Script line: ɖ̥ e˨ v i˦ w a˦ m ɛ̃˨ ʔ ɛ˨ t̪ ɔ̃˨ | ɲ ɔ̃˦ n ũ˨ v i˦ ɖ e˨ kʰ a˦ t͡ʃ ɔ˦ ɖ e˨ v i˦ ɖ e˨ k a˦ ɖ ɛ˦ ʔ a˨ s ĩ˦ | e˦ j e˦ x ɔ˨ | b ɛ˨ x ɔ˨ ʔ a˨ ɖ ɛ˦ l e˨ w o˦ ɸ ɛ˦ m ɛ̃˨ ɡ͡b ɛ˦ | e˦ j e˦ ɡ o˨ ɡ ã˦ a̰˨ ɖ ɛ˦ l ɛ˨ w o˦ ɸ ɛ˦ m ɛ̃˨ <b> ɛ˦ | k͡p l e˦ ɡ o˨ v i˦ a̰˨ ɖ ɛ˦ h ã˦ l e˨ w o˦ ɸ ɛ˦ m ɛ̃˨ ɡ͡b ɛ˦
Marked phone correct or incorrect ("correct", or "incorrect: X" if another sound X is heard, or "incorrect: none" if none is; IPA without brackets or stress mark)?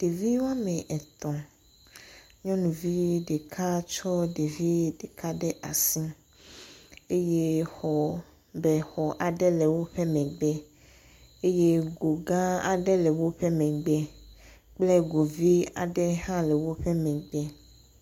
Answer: incorrect: ɡ͡b